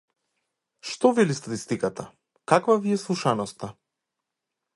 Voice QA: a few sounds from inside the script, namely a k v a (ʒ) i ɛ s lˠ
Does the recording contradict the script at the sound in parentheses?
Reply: yes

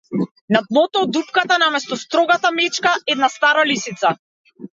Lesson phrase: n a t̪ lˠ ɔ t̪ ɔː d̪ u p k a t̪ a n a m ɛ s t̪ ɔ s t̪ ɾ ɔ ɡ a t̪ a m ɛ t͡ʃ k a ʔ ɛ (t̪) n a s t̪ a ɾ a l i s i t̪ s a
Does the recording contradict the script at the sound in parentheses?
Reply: yes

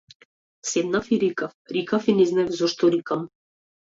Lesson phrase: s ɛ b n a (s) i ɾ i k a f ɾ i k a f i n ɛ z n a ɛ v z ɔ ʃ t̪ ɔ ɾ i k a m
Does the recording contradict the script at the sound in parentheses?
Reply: yes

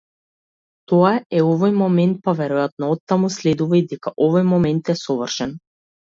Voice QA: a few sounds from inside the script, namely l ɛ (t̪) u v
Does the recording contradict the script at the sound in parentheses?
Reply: yes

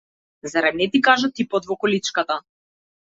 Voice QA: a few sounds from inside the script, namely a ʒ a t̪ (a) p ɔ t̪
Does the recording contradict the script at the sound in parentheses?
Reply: yes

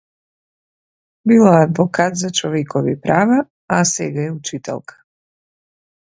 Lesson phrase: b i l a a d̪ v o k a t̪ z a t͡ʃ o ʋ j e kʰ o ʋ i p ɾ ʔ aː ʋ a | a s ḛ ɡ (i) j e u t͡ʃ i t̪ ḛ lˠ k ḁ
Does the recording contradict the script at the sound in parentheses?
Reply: yes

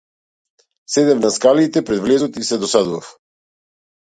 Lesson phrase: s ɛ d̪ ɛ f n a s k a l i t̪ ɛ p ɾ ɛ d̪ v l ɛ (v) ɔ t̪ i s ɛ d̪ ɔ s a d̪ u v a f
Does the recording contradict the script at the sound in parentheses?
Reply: yes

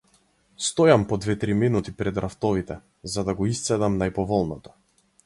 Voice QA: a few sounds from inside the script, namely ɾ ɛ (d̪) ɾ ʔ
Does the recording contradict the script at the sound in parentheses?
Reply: no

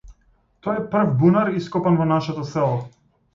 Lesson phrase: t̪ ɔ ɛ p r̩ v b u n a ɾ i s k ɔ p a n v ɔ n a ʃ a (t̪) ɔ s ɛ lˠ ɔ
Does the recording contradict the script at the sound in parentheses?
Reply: no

